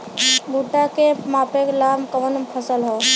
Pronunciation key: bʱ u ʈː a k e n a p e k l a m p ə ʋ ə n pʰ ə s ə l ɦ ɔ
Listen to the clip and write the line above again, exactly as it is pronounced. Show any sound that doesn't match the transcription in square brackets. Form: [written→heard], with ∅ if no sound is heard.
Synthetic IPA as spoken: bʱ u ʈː a k e [n→m] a p e k l a m [p→k] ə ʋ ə n pʰ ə s ə l ɦ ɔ